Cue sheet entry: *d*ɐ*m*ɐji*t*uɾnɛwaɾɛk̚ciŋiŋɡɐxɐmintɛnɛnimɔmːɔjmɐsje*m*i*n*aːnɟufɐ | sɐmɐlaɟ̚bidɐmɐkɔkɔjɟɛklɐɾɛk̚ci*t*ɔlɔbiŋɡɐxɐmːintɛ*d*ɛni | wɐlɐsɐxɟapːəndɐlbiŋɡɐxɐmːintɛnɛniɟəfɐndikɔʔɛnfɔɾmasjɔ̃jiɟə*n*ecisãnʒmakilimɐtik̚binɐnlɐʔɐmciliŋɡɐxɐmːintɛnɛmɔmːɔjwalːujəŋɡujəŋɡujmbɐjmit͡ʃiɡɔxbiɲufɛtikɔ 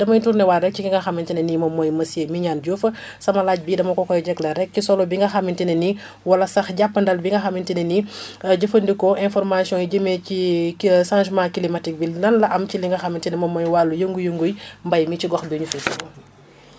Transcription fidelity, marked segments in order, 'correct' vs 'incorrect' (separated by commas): correct, correct, correct, correct, incorrect, incorrect, incorrect, incorrect